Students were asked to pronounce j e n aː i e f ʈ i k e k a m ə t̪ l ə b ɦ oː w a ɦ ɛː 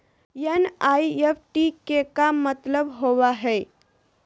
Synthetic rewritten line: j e n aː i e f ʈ i k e k a m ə t̪ l ə b ɦ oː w a ɦ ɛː